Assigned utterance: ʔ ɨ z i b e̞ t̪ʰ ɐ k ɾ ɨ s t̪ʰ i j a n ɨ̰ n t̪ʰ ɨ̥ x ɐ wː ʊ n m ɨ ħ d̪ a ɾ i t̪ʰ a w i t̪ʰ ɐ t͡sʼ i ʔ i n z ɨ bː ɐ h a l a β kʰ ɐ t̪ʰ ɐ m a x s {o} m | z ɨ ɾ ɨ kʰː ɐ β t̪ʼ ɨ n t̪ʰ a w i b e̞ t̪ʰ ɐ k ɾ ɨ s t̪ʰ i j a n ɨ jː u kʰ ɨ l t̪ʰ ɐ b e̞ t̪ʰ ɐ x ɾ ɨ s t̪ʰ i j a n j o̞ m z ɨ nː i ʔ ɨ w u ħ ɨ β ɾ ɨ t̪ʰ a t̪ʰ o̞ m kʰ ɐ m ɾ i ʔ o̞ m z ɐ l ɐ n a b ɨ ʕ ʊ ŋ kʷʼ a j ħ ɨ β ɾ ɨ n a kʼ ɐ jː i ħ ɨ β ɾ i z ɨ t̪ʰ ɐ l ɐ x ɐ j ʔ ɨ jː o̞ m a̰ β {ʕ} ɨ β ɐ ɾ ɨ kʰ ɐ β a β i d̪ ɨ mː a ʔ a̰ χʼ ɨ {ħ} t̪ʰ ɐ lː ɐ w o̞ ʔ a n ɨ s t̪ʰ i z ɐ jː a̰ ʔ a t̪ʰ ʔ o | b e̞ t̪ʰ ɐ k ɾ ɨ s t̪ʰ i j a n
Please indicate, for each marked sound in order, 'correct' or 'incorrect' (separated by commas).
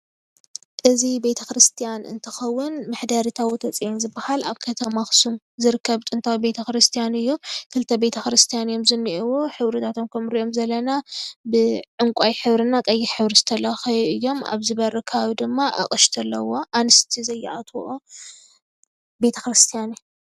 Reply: incorrect, incorrect, incorrect